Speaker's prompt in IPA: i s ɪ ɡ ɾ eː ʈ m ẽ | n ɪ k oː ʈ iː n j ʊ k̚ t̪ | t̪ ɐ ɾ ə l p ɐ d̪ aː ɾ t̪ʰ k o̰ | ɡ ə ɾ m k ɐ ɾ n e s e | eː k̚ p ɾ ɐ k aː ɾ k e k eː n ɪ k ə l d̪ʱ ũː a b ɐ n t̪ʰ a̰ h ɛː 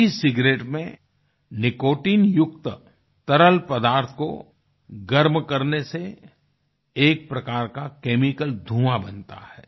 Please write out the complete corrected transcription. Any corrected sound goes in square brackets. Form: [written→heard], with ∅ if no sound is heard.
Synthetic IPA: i s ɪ ɡ ɾ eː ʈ m ẽ | n ɪ k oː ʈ iː n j ʊ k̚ t̪ | t̪ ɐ ɾ ə l p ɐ d̪ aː ɾ t̪ʰ k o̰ | ɡ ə ɾ m k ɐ ɾ n e s e | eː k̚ p ɾ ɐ k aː ɾ k [e→a] k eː [n→m] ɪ k ə l d̪ʱ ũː a b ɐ n [t̪ʰ→t̪] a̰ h ɛː